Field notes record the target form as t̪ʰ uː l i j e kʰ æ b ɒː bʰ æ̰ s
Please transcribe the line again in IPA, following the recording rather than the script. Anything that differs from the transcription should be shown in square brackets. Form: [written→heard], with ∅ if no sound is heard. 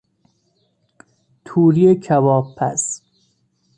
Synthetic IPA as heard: t̪ʰ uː [l→ɾ] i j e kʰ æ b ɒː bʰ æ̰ s